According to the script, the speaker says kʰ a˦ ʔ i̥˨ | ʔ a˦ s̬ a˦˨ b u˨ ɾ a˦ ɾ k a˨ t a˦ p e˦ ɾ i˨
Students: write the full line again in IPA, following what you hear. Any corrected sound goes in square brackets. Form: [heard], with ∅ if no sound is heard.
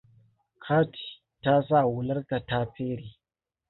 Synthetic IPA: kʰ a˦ [t] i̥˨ | [t] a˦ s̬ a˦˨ [w] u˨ [l] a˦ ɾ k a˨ t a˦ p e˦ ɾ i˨